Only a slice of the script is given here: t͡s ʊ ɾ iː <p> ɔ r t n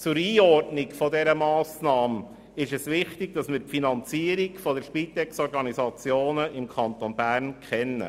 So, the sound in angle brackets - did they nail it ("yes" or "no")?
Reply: no